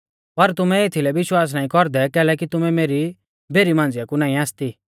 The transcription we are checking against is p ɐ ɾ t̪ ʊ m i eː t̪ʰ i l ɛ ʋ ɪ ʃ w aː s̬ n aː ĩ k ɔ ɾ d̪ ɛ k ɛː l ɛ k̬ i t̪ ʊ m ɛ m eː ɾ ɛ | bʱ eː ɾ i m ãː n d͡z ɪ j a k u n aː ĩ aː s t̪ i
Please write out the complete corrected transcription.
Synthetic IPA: p ɐ ɾ t̪ ʊ m ɛ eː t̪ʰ i l ɛ ʋ ɪ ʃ w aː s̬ n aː ĩ k ɔ ɾ d̪ ɛ k ɛː l ɛ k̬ i t̪ ʊ m ɛ m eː ɾ i | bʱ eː ɾ i m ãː n d͡z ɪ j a k u n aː ĩ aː s t̪ i